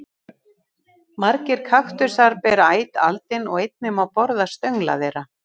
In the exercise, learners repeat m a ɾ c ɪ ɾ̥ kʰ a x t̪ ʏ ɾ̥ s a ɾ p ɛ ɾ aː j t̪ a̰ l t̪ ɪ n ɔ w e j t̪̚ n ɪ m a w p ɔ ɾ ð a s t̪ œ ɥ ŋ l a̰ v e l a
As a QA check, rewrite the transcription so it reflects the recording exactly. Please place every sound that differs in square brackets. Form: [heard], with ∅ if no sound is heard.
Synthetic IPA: m a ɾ c ɪ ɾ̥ kʰ a x t̪ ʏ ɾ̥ s a ɾ p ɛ ɾ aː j t̪ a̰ l t̪ ɪ n ɔ [ɣ] e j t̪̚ n ɪ m a w p ɔ ɾ ð a s t̪ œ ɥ ŋ l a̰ [ð] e [ɾ] a